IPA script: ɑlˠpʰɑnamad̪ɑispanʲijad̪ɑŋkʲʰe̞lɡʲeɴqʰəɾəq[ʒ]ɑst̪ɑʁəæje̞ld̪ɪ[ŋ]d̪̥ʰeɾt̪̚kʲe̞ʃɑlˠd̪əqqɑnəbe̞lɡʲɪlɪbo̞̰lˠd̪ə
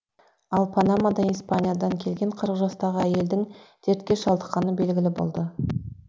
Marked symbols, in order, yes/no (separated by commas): yes, yes